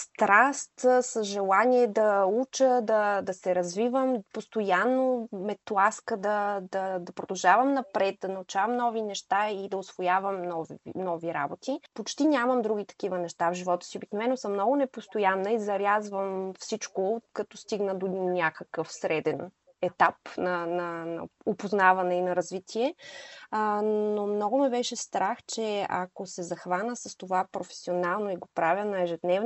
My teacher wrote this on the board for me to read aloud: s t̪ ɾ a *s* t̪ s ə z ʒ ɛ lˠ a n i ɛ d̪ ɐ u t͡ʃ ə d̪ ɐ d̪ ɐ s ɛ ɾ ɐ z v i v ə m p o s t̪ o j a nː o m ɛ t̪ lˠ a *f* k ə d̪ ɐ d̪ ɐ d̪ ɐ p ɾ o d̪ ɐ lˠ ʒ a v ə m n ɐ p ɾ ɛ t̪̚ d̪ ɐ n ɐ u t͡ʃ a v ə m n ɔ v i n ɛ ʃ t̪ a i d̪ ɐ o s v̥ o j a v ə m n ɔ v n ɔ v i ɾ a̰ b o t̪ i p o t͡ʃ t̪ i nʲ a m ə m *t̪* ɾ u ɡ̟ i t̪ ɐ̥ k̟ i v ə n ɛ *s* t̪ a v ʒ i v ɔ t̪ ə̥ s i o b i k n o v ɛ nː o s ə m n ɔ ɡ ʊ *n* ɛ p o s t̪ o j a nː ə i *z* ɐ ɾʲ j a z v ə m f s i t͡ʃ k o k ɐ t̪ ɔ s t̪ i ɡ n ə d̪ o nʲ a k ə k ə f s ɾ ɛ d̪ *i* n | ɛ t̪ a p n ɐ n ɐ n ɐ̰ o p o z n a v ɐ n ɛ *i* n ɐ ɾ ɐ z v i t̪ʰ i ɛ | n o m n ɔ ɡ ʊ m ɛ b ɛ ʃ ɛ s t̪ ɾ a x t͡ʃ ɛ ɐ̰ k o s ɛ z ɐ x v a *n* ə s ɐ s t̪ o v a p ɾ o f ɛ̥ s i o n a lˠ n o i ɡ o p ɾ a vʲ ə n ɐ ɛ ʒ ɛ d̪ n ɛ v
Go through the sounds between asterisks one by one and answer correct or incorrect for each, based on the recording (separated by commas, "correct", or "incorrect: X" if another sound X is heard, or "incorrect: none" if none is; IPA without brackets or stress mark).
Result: correct, incorrect: s, incorrect: d̪, incorrect: ʃ, correct, correct, incorrect: ɛ, correct, correct